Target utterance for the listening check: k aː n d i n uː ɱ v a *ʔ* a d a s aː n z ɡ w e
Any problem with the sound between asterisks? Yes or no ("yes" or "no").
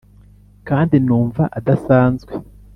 no